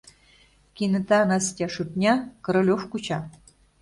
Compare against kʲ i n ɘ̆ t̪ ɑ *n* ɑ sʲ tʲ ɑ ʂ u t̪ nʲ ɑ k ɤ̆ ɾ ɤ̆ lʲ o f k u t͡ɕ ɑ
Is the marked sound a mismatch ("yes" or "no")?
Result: no